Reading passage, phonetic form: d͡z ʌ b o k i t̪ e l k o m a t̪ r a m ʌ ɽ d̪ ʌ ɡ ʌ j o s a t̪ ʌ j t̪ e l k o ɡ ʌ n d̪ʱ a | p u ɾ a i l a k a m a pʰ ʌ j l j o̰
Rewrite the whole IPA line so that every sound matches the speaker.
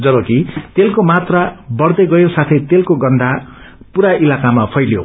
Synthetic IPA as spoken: d͡z ʌ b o k i t̪ e l k o m a t̪ r a b ʌ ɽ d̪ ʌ ɡ ʌ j o s a t̪ʰ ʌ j t̪ e l k o ɡ ʌ n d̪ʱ a | p u ɾ a i l a k a m a pʰ ʌ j l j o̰